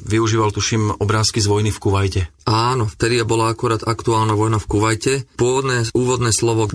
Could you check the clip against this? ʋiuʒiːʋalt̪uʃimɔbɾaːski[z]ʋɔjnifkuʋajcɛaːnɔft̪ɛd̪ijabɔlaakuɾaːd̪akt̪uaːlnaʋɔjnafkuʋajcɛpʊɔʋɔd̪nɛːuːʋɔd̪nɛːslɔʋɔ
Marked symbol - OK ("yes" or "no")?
yes